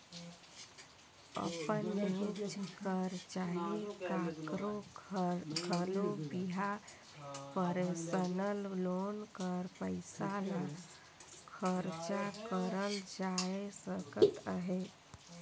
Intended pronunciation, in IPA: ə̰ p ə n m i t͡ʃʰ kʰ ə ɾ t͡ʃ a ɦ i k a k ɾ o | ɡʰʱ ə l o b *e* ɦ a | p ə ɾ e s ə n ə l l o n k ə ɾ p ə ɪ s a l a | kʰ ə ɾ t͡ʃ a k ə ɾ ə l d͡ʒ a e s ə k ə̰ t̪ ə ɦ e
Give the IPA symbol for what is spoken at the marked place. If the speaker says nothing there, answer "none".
i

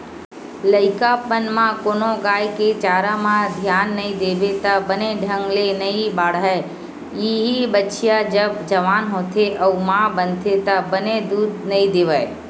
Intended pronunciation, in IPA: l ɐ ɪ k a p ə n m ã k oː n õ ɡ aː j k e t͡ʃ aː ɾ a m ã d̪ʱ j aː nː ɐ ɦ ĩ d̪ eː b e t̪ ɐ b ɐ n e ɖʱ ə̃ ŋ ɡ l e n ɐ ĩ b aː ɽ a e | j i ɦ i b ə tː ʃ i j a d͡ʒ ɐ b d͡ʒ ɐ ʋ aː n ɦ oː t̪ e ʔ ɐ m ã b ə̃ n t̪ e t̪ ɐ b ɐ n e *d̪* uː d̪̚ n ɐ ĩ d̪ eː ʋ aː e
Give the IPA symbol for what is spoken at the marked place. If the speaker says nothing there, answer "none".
d̪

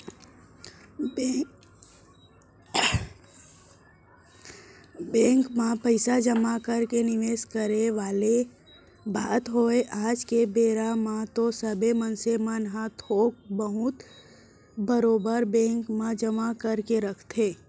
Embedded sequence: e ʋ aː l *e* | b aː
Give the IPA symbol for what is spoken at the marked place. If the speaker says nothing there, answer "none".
e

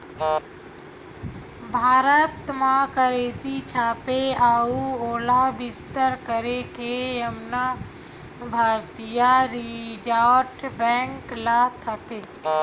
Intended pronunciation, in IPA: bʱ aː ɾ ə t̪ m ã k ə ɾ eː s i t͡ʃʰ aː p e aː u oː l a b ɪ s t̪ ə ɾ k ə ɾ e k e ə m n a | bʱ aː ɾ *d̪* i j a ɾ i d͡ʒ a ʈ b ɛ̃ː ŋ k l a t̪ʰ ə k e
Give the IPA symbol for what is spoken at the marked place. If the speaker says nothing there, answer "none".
t̪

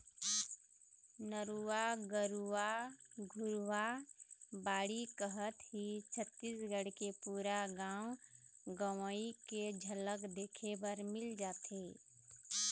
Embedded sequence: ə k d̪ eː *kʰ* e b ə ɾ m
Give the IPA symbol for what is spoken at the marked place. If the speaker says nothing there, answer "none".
kʰ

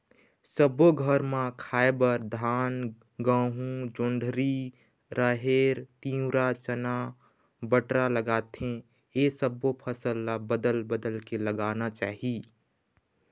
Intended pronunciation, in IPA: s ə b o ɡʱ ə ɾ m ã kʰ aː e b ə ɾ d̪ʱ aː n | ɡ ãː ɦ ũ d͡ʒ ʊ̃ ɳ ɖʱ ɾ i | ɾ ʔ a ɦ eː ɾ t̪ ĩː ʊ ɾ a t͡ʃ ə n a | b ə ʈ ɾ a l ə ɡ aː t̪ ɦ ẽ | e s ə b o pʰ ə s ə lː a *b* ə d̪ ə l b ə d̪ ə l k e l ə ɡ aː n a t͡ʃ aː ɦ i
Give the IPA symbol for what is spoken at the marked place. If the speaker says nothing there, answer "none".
b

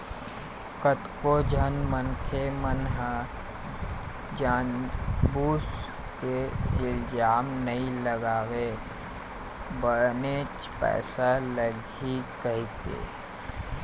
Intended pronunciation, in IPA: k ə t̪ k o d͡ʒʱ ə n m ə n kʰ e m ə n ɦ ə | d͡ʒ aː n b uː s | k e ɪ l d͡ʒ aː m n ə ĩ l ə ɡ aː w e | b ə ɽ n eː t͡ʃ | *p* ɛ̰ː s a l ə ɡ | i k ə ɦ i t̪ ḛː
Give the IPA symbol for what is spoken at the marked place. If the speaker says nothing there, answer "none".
p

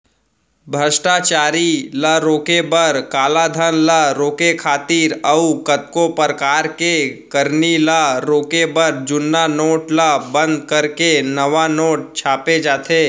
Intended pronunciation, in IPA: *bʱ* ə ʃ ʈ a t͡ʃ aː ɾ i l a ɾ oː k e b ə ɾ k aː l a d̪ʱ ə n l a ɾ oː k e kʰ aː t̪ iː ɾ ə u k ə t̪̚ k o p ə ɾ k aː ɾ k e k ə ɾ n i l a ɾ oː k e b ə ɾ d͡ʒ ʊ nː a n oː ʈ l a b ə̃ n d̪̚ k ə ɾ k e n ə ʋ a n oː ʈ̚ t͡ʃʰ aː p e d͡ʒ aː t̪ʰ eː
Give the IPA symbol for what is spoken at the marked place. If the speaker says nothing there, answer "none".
bʱ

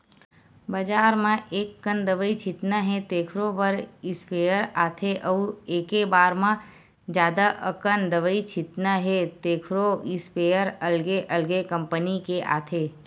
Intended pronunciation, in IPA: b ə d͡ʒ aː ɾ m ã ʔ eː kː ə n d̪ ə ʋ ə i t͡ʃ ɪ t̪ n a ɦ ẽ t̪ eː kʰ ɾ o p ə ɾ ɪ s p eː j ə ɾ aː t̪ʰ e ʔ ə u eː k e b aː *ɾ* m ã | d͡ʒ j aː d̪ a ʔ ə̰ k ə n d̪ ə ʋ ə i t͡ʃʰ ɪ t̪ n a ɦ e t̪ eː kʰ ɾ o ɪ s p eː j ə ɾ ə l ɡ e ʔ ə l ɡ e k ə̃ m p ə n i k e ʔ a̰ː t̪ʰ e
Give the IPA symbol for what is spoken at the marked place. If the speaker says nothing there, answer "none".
ɾ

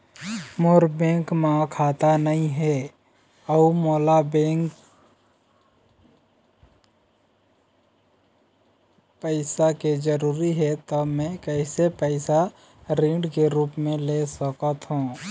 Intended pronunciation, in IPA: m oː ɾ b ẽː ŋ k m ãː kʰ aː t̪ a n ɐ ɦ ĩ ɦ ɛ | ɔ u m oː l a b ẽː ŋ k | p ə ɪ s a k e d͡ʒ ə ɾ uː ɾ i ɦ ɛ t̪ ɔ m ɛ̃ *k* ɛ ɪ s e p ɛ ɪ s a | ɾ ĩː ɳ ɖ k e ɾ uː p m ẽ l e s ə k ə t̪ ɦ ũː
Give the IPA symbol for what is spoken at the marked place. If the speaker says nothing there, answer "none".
k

